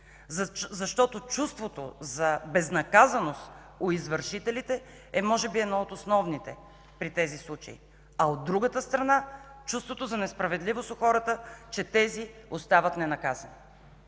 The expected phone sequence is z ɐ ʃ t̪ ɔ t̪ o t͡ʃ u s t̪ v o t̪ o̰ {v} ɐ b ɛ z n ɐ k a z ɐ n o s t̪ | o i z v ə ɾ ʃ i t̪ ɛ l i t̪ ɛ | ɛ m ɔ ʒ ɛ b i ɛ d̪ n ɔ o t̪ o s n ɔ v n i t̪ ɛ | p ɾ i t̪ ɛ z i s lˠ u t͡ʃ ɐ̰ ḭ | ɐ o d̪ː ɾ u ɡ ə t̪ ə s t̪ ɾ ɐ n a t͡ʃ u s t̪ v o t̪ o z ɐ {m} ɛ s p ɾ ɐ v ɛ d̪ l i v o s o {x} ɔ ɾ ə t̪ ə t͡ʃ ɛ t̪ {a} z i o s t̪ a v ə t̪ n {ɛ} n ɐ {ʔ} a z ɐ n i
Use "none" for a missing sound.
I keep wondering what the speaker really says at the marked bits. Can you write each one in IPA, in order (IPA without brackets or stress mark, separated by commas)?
z, n, x, ɛ, ɛ, k